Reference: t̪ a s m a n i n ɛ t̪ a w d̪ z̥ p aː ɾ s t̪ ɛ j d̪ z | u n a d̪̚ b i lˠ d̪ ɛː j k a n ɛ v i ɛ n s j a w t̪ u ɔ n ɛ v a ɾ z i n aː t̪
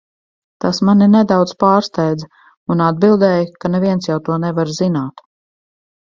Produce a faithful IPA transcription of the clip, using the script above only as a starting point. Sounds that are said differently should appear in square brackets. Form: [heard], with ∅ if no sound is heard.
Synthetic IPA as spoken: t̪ a s m a n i n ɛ [d̪] a w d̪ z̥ p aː ɾ s t̪ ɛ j d̪ z | u n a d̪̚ b i lˠ d̪ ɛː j k a n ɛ v i ɛ n s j a w t̪ u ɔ n ɛ v a ɾ z i n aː t̪